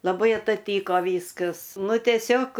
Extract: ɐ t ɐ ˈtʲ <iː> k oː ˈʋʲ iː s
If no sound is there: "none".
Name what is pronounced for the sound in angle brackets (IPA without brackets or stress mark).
iː